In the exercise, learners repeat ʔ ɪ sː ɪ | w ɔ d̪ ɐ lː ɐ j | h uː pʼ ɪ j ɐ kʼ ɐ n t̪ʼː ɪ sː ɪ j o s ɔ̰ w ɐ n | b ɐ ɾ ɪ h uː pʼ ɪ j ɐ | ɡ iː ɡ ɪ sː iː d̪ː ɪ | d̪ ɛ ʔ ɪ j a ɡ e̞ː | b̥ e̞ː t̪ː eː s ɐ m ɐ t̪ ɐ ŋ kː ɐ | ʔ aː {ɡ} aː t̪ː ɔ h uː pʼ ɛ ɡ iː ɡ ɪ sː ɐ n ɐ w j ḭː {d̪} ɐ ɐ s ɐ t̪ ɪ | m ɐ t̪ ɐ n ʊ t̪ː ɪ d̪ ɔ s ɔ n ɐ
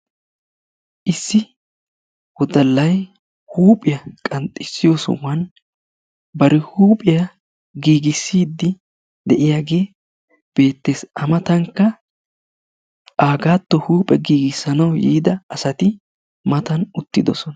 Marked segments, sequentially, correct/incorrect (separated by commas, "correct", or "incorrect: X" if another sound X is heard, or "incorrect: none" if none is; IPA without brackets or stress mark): correct, correct